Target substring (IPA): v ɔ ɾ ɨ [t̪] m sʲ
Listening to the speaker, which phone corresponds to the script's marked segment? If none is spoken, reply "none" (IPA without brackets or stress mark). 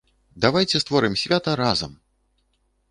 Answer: none